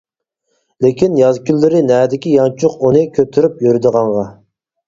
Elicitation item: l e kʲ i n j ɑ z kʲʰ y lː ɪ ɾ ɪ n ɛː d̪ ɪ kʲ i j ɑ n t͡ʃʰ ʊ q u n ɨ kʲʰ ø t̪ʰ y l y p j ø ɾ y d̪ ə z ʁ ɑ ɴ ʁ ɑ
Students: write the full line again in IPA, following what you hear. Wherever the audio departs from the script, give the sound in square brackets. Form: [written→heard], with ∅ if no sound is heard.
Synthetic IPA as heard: l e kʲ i n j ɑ z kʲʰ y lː ɪ ɾ ɪ n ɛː d̪ ɪ kʲ i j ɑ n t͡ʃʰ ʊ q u n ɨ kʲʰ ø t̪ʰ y [l→ɾ] y p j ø ɾ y d̪ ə [z→∅] ʁ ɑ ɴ ʁ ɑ